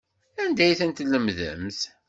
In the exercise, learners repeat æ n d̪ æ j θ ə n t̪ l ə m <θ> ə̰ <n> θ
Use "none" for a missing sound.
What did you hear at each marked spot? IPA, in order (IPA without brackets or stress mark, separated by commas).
ð, m